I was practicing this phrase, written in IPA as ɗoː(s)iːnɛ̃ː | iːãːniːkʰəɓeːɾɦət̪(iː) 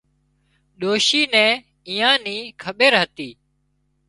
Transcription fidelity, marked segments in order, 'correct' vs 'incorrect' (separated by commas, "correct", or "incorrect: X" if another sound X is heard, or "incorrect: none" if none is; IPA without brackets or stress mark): incorrect: ʃ, correct